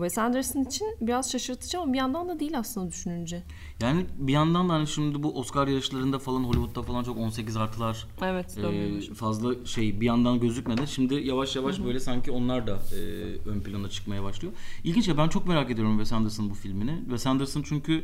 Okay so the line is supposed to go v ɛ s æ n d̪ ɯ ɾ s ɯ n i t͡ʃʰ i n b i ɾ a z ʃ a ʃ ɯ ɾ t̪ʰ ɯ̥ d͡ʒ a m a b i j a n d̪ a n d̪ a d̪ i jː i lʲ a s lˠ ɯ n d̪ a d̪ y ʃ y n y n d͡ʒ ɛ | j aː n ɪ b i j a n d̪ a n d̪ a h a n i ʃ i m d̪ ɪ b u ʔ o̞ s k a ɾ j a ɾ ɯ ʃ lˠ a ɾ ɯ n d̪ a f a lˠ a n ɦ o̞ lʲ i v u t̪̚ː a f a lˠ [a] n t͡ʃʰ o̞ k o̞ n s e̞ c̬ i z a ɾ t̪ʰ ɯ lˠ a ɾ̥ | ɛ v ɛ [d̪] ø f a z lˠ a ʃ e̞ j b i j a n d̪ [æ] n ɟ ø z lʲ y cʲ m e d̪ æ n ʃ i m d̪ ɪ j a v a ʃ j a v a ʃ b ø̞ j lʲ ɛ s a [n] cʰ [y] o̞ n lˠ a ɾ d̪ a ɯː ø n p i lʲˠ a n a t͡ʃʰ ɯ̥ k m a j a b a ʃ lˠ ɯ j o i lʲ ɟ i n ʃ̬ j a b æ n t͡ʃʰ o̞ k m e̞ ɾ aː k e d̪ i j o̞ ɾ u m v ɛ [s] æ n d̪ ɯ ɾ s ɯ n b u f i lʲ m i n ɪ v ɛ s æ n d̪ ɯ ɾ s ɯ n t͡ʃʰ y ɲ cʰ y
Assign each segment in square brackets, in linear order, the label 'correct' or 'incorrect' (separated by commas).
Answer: correct, incorrect, incorrect, incorrect, incorrect, correct